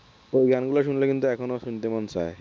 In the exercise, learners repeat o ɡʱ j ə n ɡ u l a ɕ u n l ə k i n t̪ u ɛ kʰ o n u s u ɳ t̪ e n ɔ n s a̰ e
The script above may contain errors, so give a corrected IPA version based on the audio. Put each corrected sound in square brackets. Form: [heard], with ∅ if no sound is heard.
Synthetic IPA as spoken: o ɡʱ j [a] n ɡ u l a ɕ u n l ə k i n t̪ u ɛ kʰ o n [o] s u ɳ t̪ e [m] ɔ n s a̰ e